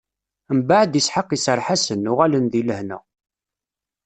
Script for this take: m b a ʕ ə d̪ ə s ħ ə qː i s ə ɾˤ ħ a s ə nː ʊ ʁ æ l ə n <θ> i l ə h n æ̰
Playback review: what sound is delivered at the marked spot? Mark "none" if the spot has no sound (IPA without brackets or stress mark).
ð